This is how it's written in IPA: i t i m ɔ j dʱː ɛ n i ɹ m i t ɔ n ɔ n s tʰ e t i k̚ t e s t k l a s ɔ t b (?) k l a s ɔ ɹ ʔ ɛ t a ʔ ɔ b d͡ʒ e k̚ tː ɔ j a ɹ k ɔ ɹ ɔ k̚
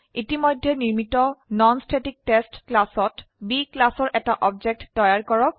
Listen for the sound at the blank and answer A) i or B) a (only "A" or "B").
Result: A